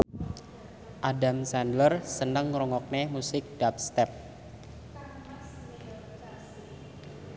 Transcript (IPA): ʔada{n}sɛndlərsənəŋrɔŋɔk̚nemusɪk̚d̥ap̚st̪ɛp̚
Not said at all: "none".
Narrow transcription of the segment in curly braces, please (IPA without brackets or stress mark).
m